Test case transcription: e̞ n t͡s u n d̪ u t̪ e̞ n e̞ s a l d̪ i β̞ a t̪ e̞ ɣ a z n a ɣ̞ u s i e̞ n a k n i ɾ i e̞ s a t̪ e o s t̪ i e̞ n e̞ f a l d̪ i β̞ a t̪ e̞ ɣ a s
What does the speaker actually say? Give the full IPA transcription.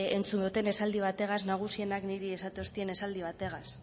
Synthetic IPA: e̞ n t͡s u n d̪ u t̪ e̞ n e̞ s a l d̪ i β̞ a t̪ e̞ ɣ a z n a ɣ̞ u s i e̞ n a k n i ɾ i e̞ s a t̪ e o s t̪ i e̞ n e̞ s a l d̪ i β̞ a t̪ e̞ ɣ a s

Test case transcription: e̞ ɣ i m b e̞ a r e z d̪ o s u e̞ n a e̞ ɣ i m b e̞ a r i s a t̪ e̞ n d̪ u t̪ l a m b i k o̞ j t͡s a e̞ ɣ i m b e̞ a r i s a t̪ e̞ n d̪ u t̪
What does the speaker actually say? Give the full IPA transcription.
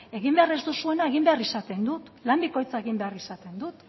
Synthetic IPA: e̞ ɣ i m b e̞ a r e z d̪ u s u e̞ n a e̞ ɣ i m b e̞ a r i s a t̪ e̞ n d̪ u t̪ l a m b i k o̞ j t͡s a e̞ ɣ i m b e̞ a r i s a t̪ e̞ n d̪ u t̪

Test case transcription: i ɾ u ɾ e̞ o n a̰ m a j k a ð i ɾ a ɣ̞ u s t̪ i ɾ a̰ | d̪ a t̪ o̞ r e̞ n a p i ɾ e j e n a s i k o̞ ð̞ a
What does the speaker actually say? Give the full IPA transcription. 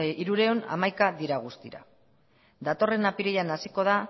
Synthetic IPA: i ɾ u ɾ e̞ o n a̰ m a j k a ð i ɾ a ɣ̞ u s t̪ i ɾ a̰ | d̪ a t̪ o̞ r e̞ n a p i ɾ e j a n a s i k o̞ ð̞ a

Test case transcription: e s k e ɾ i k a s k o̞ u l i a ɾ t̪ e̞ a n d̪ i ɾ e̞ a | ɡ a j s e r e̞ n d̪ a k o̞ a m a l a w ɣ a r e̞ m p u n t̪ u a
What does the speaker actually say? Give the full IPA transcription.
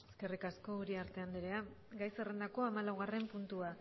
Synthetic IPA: e s k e r i k a s k o̞ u ɾ i a ɾ t̪ e̞ a n d̪ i ɾ e̞ a | ɡ a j s e r e̞ n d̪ a k o̞ a m a l a w ɣ a r e̞ m p u n t̪ u a

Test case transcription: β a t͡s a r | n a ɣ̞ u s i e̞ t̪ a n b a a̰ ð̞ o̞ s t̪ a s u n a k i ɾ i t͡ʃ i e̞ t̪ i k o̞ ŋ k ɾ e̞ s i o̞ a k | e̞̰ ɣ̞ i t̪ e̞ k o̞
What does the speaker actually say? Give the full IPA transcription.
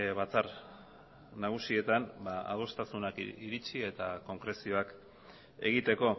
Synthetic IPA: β a t͡s a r | n a ɣ̞ u s i e̞ t̪ a n b a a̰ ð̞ o̞ s t̪ a s u n a k i ɾ i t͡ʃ i e̞ t̪ a k o̞ ŋ k ɾ e̞ s i o̞ a k | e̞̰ ɣ̞ i t̪ e̞ k o̞

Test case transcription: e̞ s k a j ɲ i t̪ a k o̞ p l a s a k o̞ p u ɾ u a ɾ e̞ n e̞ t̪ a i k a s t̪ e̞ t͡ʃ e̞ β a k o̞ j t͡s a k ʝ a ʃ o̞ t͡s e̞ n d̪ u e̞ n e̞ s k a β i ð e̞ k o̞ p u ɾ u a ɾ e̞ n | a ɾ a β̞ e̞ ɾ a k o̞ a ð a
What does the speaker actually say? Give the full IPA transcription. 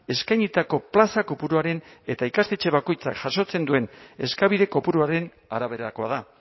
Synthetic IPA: e̞ s k a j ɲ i t̪ a k o̞ p l a s a k o̞ p u ɾ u a ɾ e̞ n e̞ t̪ a i k a s t̪ e̞ t͡ʃ e̞ β a k o̞ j t͡s a k ʝ a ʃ o̞ t͡s e̞ n d̪ u e̞ n e̞ s k a β i ð e̞ k o̞ p u ɾ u a ɾ e̞ n | a ɾ a β̞ e̞ ɾ a k o̞ a ð a

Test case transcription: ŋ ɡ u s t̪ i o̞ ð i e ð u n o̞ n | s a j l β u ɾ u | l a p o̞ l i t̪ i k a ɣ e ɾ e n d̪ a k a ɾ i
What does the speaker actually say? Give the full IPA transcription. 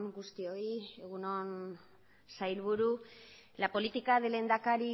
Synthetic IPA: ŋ ɡ u s t̪ i o̞ i e ɣ u n o̞ n | s a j l β u ɾ u | l a p o̞ l i t̪ i k a ð e l e n d̪ a k a ɾ i

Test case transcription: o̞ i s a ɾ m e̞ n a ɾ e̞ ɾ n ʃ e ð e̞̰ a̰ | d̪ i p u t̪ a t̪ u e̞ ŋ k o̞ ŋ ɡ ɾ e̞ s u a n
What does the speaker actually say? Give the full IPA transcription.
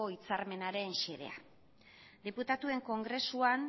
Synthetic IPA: o̞ i t͡s a ɾ m e̞ n a ɾ e̞ n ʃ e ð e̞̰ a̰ | d̪ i p u t̪ a t̪ u e̞ ŋ k o̞ ŋ ɡ ɾ e̞ s u a n

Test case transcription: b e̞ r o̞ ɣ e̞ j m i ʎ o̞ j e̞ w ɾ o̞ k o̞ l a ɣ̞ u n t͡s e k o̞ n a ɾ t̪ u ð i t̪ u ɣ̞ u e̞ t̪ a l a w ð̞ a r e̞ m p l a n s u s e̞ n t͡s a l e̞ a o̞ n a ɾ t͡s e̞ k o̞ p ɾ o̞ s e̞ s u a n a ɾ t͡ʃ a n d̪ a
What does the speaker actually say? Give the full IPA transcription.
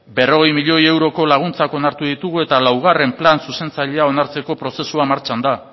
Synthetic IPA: b e̞ r o̞ ɣ e̞ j m i ʎ o̞ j e̞ w ɾ o̞ k o̞ l a ɣ̞ u n t͡s a k o̞ n a ɾ t̪ u ð i t̪ u ɣ̞ u e̞ t̪ a l a w ɣ̞ a r e̞ m p l a n s u s e̞ n t͡s a ʎ e̞ a o̞ n a ɾ t͡s e̞ k o̞ p ɾ o̞ s e̞ s u a m a ɾ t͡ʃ a n d̪ a

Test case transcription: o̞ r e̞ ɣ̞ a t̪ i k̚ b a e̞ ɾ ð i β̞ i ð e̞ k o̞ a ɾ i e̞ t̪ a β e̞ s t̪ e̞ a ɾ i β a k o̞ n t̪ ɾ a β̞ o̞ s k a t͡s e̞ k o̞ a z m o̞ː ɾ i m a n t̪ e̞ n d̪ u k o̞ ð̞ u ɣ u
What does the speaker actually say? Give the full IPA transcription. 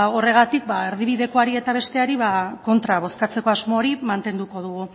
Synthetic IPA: o̞ r e̞ ɣ̞ a t̪ i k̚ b a e̞ ɾ ð i β̞ i ð e̞ k o̞ a ɾ i e̞ t̪ a β e̞ s t̪ e̞ a ɾ i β a k o̞ n t̪ ɾ a β̞ o̞ s k a t͡s e̞ k o̞ a z m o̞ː ɾ i m a n t̪ e̞ n d̪ u k o̞ ð̞ u ɣ u

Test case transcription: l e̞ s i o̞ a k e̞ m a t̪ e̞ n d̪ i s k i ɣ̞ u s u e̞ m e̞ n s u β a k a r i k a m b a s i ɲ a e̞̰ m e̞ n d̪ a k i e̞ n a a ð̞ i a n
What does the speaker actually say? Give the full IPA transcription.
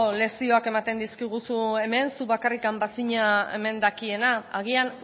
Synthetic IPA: l e̞ s i o̞ a k e̞ m a t̪ e̞ n d̪ i s k i ɣ̞ u s u e̞ m e̞ n s u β a k a r i k a m b a s i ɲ a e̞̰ m e̞ n d̪ a k i e̞ n a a ɣ̞ i a n

